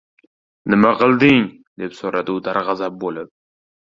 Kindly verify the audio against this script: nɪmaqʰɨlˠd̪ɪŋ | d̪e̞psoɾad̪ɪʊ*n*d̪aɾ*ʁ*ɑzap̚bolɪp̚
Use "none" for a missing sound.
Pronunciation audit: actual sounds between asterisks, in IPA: none, ʁ

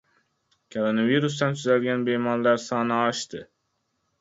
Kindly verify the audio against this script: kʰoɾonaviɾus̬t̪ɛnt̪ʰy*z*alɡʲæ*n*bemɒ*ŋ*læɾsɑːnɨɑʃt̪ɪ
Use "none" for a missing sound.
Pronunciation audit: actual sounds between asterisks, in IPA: z, n, n

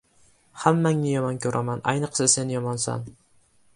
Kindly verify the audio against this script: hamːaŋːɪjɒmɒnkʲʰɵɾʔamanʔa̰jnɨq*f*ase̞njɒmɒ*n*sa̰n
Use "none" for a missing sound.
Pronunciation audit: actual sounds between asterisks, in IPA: s, n

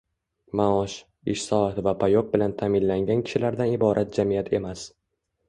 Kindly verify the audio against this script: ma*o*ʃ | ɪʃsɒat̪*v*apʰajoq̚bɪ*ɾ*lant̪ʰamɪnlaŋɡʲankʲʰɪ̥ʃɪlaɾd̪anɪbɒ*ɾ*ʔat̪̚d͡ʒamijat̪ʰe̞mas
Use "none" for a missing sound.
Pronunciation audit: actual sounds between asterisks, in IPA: ɒ, v, none, ɾ

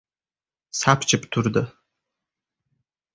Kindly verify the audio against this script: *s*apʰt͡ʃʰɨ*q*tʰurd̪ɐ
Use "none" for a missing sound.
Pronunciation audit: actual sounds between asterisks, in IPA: s, p

